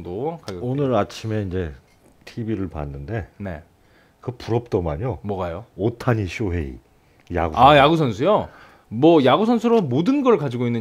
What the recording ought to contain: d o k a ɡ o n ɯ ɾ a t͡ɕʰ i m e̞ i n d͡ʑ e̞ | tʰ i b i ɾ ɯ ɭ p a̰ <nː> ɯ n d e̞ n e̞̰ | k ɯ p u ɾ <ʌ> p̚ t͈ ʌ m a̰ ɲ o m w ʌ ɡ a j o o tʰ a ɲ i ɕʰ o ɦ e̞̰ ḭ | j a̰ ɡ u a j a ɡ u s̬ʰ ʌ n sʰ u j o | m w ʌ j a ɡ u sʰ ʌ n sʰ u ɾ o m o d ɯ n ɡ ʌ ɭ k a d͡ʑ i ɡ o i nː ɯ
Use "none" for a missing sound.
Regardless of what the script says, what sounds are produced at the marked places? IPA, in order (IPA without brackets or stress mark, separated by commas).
nː, ʌ